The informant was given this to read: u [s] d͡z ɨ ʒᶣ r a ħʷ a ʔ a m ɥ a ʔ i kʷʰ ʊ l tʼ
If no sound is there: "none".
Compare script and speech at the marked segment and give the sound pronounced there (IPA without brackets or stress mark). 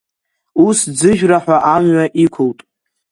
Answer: s